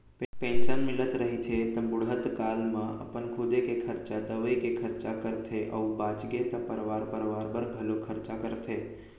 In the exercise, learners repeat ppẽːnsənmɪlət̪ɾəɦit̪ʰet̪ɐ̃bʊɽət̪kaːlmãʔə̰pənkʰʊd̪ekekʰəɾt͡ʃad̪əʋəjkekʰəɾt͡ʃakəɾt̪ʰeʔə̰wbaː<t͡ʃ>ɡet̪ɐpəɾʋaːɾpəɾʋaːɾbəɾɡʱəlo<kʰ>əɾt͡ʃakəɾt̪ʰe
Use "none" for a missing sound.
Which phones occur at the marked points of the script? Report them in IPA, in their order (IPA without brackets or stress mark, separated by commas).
t͡ʃ, kʰ